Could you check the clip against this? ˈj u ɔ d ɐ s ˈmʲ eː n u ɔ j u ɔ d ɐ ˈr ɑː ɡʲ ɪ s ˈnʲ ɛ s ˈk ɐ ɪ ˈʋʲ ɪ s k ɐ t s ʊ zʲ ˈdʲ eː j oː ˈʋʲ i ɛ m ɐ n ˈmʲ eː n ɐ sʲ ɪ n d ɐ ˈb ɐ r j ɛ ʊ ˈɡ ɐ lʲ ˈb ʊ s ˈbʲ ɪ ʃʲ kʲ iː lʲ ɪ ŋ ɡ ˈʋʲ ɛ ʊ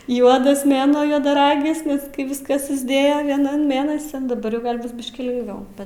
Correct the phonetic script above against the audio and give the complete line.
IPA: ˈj u ɔ d ɐ s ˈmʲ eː n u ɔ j u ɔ d ɐ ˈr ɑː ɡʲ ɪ s ˈnʲ ɛ s ˈk ɐ ɪ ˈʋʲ ɪ s k ɐ s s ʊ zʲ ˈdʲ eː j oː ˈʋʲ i ɛ n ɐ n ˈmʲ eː n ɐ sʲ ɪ n d ɐ ˈb ɐ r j ɛ ʊ ˈɡ ɐ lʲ ˈb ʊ s ˈbʲ ɪ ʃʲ kʲ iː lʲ ɪ ŋ ɡ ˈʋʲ ɛ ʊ